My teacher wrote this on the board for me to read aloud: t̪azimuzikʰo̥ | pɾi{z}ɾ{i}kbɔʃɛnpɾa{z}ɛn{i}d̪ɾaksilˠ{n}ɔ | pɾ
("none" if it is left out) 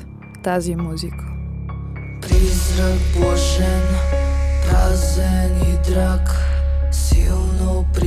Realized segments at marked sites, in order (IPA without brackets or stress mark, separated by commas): z, a, z, i, n